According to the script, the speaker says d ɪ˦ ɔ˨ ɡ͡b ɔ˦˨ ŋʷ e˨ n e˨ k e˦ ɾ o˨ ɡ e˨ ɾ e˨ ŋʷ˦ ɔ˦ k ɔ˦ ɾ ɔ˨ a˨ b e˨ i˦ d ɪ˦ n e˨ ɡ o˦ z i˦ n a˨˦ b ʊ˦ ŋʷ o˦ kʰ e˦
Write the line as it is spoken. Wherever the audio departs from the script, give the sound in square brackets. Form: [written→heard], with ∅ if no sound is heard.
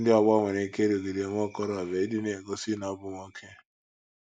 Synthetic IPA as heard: d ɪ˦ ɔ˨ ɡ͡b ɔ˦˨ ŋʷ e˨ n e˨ k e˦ ɾ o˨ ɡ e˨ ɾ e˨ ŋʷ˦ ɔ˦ k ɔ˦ ɾ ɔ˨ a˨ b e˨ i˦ d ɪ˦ n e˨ ɡ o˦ [z→s] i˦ n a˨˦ b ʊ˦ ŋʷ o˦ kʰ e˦